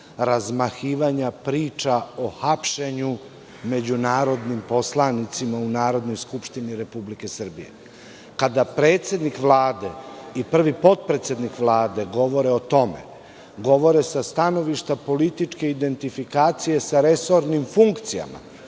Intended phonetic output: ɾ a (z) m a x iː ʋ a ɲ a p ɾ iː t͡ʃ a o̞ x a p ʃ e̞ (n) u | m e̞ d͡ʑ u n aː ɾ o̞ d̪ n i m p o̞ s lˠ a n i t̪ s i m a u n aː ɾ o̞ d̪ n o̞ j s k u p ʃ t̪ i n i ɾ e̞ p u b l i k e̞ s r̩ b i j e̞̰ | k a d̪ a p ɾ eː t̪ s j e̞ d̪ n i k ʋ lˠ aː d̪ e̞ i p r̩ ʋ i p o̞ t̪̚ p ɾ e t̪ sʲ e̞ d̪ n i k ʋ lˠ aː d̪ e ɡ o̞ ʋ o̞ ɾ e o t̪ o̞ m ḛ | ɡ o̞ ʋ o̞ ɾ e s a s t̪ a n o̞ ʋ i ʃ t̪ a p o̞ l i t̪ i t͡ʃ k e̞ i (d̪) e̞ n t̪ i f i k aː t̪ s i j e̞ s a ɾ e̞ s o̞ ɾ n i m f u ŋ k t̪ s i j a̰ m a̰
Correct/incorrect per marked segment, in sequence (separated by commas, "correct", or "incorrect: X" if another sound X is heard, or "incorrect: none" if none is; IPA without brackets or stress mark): correct, incorrect: ɲ, correct